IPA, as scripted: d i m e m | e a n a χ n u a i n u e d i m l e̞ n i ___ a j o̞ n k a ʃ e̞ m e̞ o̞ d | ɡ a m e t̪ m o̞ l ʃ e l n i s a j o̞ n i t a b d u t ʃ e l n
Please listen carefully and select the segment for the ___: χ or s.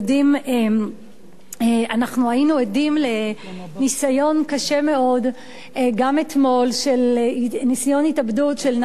s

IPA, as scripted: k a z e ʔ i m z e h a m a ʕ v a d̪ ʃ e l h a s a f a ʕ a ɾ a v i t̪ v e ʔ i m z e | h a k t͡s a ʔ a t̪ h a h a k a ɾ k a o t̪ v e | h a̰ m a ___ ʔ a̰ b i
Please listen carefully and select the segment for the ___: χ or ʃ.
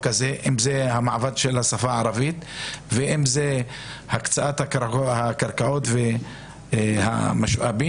ʃ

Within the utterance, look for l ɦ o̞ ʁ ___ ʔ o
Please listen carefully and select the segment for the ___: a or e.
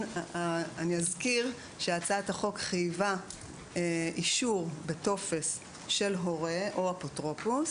e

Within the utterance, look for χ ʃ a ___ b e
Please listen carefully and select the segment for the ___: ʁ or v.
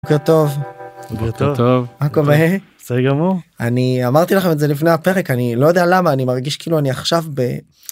v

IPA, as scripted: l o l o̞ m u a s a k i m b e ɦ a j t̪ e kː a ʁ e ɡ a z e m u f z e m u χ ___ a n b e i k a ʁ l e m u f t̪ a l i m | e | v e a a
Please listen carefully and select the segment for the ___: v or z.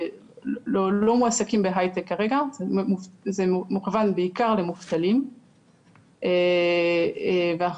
v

